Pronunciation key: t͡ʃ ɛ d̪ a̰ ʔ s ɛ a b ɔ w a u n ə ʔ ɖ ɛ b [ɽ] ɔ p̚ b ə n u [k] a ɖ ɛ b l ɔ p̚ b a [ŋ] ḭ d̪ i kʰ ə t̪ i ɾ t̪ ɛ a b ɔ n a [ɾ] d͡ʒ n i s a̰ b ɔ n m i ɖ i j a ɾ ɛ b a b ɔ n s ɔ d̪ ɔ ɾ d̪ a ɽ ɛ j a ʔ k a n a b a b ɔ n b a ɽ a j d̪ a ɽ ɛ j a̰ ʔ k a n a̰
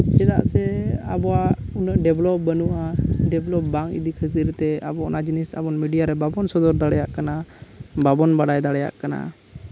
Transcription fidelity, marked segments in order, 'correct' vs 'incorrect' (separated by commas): incorrect, incorrect, correct, incorrect